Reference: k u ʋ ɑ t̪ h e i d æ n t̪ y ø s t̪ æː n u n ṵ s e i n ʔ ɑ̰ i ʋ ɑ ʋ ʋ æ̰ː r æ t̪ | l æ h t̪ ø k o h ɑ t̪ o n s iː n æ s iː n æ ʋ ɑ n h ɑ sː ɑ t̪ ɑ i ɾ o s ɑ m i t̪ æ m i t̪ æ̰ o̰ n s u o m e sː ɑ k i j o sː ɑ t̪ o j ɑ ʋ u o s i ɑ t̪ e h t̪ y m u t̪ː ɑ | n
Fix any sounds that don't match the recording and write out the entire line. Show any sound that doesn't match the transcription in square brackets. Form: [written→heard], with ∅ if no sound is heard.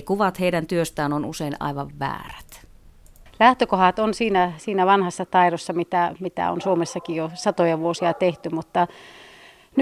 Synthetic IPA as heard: k u ʋ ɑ t̪ h e i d æ n t̪ y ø s t̪ æː n [u→o] n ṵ s e i n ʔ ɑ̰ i ʋ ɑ ʋ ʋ æ̰ː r æ t̪ | l æ h t̪ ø k o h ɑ t̪ o n s iː n æ s iː n æ ʋ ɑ n h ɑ sː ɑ t̪ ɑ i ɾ o [s→sː] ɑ m i t̪ æ m i t̪ æ̰ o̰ n s u o m e sː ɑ k i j o [sː→s] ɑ t̪ o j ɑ ʋ u o s i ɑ t̪ e h t̪ y m u t̪ː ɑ | n